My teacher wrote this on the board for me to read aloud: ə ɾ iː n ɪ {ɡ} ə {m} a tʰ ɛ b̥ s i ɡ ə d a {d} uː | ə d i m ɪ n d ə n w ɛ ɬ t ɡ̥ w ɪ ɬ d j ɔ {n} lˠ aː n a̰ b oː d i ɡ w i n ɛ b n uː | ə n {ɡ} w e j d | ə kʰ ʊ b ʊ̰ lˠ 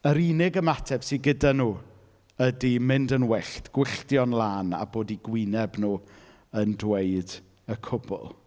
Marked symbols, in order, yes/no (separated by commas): yes, yes, no, yes, no